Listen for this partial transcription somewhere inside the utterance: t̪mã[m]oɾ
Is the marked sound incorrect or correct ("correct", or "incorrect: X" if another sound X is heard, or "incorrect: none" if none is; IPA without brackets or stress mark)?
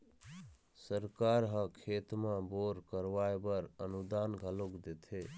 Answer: incorrect: b